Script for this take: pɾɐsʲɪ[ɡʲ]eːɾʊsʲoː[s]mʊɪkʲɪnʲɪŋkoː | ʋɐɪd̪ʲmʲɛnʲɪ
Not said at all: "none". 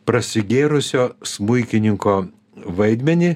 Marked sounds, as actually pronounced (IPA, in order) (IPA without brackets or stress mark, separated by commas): ɡʲ, s